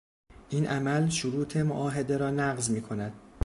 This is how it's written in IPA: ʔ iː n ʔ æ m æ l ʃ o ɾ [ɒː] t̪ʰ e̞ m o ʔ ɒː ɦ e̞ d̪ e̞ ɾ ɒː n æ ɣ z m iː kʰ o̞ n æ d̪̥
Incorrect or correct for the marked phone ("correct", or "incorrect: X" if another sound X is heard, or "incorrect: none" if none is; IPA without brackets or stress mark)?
incorrect: uː